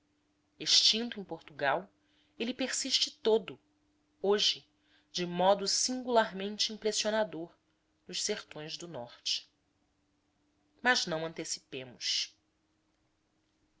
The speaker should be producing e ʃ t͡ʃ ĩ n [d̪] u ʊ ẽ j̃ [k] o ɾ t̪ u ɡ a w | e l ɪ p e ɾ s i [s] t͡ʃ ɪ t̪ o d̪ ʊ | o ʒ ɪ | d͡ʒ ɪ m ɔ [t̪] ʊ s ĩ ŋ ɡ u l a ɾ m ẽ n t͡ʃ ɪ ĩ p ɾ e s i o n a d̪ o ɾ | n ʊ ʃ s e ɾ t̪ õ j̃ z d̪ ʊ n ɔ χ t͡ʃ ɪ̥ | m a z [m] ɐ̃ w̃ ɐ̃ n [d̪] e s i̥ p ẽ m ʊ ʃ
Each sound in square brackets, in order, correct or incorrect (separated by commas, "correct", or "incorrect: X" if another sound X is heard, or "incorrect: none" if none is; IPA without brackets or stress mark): incorrect: t̪, incorrect: p, incorrect: ʃ, incorrect: d̪, incorrect: n, incorrect: t̪